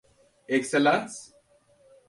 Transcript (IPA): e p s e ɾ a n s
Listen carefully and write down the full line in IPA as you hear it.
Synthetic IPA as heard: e k s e l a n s